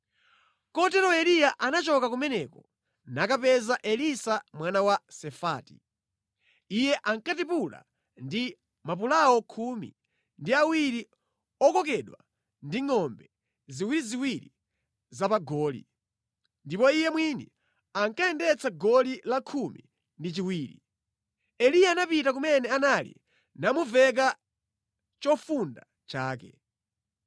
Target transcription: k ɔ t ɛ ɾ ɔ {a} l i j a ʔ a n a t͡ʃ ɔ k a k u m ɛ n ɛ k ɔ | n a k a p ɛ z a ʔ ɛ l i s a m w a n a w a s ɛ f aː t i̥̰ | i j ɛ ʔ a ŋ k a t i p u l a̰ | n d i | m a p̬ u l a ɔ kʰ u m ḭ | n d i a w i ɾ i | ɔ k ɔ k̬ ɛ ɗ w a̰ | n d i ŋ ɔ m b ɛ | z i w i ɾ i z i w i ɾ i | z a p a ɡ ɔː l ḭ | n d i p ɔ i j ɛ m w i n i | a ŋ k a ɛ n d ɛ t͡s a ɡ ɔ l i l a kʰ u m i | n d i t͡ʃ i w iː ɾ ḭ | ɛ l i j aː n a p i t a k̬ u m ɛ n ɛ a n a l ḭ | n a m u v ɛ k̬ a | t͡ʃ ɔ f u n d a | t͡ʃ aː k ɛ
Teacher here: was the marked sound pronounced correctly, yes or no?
no